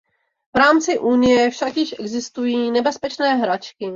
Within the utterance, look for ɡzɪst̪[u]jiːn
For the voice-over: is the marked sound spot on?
yes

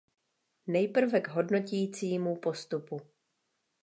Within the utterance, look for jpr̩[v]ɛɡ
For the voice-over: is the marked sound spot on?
yes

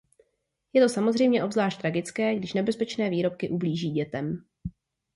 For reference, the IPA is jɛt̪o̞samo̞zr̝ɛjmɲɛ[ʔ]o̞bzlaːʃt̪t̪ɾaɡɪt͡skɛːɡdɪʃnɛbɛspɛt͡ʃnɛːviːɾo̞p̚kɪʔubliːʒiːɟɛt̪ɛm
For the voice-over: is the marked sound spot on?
yes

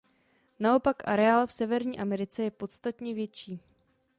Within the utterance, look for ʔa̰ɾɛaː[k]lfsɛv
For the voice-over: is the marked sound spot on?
no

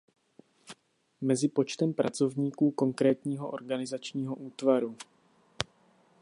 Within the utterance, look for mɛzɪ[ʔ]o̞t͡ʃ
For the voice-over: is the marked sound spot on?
no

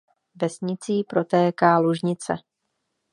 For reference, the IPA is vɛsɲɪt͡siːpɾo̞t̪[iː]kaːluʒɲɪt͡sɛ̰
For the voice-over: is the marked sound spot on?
no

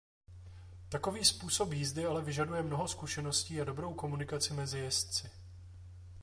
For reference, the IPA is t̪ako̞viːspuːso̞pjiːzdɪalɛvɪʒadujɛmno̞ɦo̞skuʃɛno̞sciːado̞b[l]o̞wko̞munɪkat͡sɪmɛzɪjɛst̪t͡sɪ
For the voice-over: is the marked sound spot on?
no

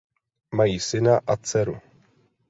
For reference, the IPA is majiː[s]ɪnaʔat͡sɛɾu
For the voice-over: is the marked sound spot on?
yes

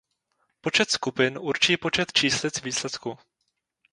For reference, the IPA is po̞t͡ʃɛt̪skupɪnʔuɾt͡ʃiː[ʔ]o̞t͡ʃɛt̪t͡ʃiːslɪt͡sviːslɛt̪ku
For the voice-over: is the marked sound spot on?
no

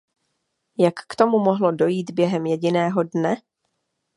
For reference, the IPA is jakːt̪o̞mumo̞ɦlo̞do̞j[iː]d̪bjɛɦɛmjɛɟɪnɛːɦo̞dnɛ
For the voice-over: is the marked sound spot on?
yes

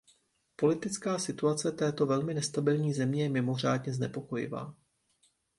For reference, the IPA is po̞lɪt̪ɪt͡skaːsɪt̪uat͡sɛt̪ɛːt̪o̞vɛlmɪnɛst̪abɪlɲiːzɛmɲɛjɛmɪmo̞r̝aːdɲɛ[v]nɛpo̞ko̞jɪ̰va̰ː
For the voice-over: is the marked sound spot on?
no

